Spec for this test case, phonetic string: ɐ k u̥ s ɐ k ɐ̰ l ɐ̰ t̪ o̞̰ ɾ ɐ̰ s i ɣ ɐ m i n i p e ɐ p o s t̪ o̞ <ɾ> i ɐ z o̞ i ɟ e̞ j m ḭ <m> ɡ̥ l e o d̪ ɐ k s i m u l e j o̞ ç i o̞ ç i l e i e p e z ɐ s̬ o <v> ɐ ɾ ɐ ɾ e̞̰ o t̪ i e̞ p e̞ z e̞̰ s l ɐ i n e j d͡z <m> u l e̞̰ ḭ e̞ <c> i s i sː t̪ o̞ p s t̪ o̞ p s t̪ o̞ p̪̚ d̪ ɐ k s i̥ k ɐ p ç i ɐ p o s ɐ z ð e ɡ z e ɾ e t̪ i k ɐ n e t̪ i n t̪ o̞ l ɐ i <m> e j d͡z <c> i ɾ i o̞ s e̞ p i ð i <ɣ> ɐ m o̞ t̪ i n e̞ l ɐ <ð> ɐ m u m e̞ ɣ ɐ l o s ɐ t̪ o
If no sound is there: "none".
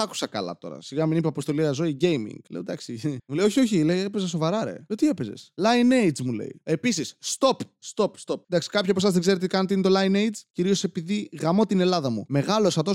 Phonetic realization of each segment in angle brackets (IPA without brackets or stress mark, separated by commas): l, ŋ, v, m, p, n, c, ɣ, ð